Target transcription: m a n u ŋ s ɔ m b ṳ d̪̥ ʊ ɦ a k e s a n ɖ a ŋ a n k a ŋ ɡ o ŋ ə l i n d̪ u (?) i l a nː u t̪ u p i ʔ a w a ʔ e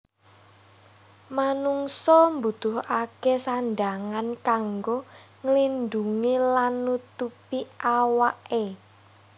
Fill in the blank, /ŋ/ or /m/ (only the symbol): ŋ